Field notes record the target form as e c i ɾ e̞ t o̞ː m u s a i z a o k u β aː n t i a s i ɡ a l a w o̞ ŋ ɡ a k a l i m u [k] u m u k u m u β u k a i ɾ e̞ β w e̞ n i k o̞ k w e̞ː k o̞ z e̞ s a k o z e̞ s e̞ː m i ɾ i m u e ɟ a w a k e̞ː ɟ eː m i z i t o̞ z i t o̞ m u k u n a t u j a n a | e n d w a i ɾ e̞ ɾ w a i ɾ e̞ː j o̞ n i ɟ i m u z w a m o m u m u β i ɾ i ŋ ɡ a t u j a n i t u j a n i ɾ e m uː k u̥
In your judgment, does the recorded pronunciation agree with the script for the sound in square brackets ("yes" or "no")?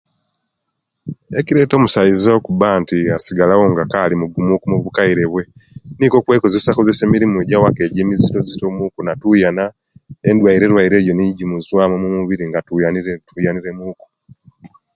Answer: no